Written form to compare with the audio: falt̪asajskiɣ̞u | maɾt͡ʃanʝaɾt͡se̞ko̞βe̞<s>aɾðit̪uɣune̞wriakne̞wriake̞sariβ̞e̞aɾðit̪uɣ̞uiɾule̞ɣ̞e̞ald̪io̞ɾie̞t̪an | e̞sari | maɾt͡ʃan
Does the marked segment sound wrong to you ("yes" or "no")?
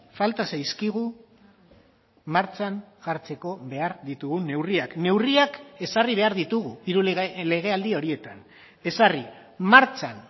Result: yes